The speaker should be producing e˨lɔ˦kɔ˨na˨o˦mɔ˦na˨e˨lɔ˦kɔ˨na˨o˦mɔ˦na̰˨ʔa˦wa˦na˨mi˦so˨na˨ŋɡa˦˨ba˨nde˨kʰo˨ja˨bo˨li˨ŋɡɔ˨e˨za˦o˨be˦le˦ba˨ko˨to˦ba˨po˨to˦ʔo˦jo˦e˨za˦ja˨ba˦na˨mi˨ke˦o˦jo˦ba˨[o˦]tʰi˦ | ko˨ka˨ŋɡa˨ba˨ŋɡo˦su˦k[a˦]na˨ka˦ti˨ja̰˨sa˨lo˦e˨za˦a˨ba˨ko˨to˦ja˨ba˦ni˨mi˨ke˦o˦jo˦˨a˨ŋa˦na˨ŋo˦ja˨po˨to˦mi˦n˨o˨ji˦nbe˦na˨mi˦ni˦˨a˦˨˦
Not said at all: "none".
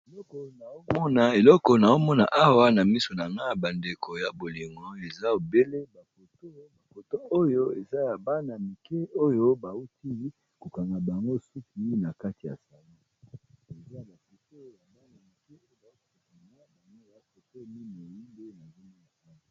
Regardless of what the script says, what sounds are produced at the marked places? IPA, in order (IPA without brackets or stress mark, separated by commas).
u˦, i˦